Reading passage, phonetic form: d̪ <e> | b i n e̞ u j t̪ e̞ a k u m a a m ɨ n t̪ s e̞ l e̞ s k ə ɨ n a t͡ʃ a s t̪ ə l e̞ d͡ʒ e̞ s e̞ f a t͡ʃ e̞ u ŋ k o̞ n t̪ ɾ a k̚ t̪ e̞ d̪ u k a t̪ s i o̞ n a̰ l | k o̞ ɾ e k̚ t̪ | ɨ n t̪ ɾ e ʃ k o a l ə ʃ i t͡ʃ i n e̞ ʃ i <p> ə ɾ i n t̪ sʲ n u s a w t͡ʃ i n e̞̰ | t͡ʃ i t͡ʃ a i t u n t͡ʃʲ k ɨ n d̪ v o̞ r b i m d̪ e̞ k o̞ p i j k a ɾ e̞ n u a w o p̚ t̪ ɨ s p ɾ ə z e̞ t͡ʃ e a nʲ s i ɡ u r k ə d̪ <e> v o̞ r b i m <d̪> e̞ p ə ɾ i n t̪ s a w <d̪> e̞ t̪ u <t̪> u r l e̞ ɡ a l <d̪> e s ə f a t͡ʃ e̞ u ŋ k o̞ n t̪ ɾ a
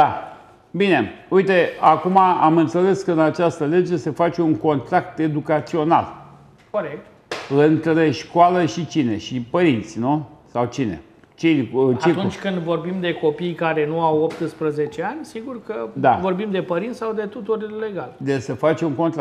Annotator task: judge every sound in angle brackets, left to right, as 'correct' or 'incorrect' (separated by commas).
incorrect, correct, incorrect, correct, correct, correct, correct